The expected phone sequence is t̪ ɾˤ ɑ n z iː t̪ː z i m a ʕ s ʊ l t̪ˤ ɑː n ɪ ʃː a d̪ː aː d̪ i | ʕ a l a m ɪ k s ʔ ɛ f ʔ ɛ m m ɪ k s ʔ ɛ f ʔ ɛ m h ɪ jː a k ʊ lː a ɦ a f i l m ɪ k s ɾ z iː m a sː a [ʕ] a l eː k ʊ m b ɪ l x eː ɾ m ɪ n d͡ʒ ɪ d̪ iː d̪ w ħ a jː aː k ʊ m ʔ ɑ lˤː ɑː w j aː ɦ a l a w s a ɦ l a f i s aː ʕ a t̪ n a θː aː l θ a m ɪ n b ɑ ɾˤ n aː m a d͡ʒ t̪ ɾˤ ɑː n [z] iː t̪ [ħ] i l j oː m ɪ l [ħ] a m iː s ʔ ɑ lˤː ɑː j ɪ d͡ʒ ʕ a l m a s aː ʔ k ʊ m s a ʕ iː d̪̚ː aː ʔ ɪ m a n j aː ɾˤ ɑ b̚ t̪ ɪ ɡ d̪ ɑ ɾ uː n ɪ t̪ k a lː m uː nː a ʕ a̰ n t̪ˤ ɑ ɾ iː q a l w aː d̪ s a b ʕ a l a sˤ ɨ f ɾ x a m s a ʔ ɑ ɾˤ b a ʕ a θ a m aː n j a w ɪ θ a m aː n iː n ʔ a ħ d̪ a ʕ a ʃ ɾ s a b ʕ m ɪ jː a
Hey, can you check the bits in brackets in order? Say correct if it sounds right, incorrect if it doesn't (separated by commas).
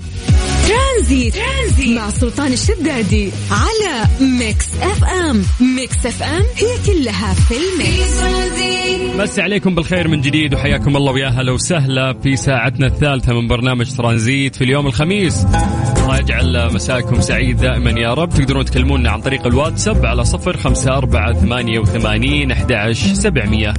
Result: correct, correct, incorrect, incorrect